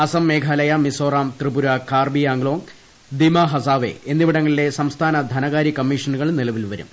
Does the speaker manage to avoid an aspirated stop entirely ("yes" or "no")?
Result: no